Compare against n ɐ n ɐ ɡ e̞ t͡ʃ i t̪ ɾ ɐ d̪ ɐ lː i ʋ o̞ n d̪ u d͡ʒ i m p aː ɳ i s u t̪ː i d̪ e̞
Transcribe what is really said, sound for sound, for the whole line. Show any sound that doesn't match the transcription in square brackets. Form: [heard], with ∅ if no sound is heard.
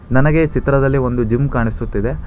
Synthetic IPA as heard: n ɐ n ɐ ɡ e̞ t͡ʃ i t̪ ɾ ɐ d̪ ɐ lː i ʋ o̞ n d̪ u d͡ʒ i m [k] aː ɳ i s u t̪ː i d̪ e̞